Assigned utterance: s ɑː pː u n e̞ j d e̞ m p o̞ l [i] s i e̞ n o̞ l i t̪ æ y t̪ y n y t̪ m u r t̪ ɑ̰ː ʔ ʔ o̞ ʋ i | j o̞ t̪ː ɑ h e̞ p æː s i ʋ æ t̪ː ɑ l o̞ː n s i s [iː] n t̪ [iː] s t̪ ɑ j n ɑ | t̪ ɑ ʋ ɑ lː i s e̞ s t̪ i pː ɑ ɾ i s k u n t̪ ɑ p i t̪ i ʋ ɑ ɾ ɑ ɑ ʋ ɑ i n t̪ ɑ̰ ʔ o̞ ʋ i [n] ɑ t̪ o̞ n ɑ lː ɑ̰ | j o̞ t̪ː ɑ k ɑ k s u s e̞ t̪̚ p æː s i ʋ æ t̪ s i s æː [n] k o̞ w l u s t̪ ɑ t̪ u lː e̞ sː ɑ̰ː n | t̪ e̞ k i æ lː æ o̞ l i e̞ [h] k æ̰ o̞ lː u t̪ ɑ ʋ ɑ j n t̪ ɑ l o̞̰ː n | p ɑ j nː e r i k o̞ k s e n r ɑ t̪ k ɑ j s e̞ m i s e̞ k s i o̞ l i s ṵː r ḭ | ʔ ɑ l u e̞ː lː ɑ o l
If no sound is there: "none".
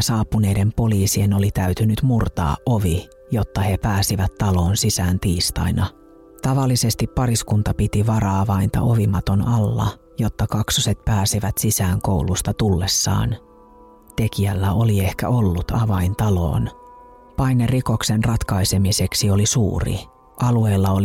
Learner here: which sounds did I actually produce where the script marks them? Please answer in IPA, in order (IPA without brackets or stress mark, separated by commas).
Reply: iː, æː, iː, m, ŋ, h